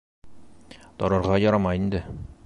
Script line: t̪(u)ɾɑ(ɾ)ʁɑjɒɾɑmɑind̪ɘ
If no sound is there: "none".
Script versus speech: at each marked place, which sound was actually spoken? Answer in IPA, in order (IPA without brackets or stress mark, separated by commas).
ɒ, ɾ